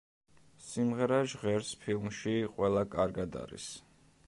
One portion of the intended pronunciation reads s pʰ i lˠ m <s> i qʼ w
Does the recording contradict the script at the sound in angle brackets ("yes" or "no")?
yes